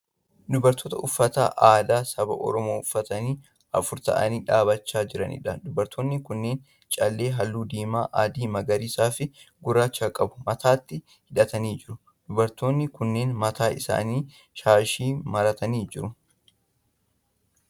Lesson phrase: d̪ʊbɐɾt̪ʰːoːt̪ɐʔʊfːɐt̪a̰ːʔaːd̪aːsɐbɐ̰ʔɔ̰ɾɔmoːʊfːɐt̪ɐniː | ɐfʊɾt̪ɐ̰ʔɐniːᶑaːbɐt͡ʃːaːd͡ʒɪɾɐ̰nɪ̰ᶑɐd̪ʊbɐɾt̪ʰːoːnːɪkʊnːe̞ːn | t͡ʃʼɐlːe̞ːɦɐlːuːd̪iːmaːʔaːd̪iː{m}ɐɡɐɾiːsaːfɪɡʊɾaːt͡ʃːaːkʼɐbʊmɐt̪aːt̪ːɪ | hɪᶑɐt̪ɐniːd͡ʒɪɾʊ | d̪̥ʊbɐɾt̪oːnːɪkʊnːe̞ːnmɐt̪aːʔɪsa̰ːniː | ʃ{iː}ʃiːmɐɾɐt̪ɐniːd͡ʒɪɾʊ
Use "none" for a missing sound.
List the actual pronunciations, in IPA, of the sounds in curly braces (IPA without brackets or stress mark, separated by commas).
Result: m, aː